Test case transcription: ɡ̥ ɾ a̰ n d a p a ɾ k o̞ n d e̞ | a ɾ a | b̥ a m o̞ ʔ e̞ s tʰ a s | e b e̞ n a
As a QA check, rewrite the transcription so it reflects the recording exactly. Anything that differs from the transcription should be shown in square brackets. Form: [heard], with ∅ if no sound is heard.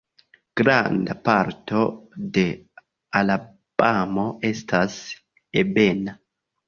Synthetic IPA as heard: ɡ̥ ɾ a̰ n d a p a ɾ [t] o̞ [∅] d e̞ | a [l] a | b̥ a m o̞ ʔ e̞ s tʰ a s | e b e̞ n a